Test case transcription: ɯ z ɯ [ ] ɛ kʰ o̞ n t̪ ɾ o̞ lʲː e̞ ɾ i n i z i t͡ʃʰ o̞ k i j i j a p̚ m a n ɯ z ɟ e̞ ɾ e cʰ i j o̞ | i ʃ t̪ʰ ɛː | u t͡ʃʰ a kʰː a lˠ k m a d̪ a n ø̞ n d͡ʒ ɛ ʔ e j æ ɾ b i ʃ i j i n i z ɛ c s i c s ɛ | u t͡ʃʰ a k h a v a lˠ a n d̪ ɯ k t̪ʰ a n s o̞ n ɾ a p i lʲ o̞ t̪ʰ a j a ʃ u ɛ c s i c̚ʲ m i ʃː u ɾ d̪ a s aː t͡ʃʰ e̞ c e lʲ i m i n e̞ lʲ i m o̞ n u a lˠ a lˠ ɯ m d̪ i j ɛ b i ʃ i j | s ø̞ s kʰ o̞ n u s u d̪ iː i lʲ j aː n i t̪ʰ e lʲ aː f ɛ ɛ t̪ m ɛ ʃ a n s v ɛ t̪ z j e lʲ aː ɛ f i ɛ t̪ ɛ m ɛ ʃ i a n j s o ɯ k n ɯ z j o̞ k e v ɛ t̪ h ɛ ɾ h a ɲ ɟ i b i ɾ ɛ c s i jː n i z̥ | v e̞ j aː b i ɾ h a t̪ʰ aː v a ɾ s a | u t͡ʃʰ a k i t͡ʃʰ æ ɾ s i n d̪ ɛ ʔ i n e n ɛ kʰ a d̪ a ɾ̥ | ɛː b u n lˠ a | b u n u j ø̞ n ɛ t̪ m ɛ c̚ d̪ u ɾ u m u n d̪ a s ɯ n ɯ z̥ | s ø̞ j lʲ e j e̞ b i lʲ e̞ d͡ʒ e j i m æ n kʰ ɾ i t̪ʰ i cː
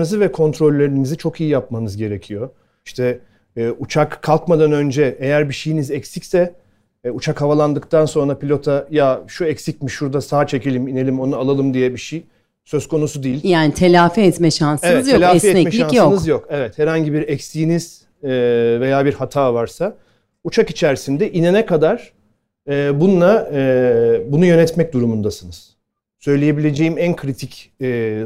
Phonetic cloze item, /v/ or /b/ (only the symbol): v